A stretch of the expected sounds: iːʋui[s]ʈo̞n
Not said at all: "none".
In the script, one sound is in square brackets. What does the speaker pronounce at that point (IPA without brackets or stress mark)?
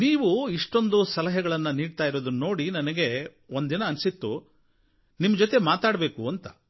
ʂ